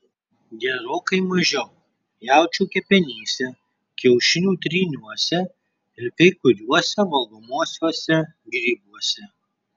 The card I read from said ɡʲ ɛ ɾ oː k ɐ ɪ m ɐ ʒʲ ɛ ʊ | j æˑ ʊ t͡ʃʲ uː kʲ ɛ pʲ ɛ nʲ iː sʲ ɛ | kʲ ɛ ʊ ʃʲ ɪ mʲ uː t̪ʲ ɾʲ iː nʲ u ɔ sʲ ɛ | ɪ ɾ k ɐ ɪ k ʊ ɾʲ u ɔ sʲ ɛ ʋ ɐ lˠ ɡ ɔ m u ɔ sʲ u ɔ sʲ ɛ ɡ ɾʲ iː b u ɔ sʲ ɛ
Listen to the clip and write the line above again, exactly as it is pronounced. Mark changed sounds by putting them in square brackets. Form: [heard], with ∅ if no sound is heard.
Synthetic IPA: ɡʲ ɛ ɾ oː k ɐ ɪ m ɐ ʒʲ ɛ ʊ | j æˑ ʊ t͡ʃʲ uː kʲ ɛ pʲ ɛ nʲ iː sʲ ɛ | kʲ ɛ ʊ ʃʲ ɪ [nʲ] uː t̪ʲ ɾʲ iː nʲ u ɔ sʲ ɛ | ɪ ɾ k ɐ ɪ k ʊ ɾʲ u ɔ sʲ ɛ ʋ ɐ lˠ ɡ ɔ m u ɔ sʲ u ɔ sʲ ɛ ɡ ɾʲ iː b u ɔ sʲ ɛ